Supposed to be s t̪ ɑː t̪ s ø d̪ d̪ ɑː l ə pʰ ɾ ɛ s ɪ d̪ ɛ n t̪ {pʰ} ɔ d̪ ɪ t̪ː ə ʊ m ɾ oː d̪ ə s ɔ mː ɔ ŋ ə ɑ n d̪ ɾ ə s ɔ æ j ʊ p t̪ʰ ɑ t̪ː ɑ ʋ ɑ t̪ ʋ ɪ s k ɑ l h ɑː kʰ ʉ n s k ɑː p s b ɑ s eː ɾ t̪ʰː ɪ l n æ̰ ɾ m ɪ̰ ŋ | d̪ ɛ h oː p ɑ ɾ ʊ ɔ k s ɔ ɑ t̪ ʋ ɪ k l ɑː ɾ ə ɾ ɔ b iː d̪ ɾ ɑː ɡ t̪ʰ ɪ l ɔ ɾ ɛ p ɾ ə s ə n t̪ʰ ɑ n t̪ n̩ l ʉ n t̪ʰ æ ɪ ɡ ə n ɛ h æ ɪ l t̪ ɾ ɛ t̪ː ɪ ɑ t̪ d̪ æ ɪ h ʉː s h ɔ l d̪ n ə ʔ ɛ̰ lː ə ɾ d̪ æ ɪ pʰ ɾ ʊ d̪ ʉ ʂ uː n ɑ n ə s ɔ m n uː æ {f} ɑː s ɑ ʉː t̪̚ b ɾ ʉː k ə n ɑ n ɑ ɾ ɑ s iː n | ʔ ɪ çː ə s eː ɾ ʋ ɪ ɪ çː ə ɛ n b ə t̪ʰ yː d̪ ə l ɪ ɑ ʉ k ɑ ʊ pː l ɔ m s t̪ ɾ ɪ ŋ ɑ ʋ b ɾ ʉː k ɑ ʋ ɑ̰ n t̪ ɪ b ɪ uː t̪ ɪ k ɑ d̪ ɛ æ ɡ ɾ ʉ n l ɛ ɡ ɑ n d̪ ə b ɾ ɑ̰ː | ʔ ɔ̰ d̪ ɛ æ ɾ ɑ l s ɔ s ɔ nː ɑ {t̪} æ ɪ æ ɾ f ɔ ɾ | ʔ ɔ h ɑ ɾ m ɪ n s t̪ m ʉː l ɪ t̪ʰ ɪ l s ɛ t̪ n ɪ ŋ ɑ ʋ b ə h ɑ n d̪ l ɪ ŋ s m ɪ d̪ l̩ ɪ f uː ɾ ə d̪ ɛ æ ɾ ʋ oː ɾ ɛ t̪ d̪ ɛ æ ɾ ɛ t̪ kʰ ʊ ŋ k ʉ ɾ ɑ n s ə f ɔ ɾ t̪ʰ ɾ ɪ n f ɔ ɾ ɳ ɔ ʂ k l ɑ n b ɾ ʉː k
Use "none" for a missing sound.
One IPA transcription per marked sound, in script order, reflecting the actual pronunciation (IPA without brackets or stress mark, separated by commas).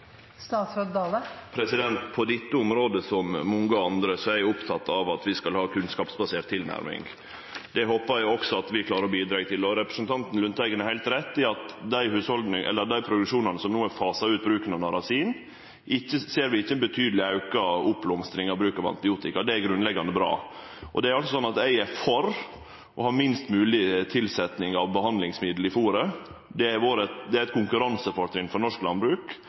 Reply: pʰ, f, t̪